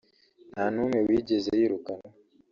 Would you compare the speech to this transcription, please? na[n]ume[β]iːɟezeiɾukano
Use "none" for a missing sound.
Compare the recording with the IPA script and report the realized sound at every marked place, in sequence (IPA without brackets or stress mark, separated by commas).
n, w